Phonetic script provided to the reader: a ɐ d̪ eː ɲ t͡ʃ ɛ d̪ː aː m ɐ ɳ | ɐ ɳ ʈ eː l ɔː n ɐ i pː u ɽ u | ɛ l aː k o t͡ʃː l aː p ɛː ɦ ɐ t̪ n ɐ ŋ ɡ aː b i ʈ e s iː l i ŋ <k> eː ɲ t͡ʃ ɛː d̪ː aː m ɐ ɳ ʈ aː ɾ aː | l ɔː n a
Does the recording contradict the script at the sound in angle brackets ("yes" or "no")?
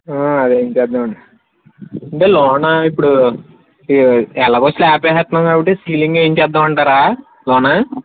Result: yes